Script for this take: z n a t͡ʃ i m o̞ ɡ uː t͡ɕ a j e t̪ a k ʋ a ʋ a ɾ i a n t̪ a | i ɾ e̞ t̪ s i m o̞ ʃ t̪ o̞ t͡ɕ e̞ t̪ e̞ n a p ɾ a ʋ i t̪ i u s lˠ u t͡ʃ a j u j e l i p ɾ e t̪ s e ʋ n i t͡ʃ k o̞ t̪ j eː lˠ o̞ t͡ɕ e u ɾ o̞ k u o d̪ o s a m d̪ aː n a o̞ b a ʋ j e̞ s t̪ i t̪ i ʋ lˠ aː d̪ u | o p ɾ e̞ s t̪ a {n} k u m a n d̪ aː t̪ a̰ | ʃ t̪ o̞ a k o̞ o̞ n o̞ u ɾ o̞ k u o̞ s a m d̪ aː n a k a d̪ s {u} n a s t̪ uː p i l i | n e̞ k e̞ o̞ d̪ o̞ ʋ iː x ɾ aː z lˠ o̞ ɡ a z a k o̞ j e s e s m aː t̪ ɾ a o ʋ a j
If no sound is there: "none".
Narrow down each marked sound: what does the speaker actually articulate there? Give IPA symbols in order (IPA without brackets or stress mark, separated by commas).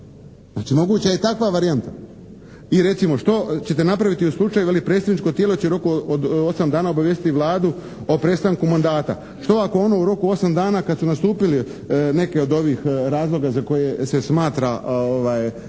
ŋ, u